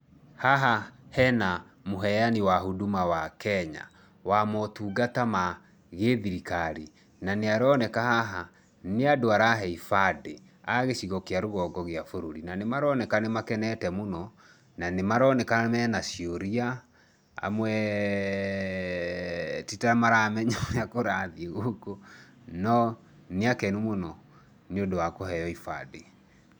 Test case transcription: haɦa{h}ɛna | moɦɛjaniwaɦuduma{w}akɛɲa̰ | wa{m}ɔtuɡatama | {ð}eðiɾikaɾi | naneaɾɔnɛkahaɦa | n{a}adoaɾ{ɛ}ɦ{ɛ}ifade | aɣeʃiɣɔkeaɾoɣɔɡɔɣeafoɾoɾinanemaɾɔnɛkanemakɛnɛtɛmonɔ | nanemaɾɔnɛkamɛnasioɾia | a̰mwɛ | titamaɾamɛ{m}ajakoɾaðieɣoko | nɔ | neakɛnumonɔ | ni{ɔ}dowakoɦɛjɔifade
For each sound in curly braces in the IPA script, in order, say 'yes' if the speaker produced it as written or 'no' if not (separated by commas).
yes, yes, yes, no, no, no, yes, no, no